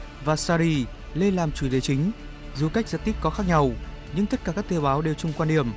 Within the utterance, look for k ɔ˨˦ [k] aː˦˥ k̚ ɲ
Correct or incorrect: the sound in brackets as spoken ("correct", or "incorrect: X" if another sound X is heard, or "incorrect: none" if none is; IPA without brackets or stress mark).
incorrect: x